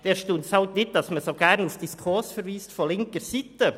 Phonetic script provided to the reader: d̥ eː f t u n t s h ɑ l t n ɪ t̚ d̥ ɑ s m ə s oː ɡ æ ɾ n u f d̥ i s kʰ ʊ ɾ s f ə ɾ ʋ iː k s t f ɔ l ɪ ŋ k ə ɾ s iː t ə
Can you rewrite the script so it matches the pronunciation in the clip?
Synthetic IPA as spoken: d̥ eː ʃ t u n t s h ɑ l t n ɪ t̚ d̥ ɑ s m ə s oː ɡ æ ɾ n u f d̥ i s kʰ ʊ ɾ s f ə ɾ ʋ iː s t f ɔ l ɪ ŋ k ə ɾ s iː t ə